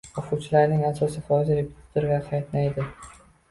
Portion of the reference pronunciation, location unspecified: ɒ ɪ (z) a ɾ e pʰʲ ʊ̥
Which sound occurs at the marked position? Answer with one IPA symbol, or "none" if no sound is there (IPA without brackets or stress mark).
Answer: z